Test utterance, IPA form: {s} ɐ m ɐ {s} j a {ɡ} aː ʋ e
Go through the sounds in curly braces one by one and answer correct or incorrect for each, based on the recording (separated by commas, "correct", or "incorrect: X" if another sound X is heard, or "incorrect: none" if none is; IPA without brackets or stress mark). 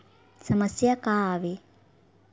correct, correct, incorrect: k